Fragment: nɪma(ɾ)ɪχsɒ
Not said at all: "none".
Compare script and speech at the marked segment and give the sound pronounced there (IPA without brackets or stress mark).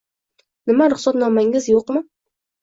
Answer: ɾ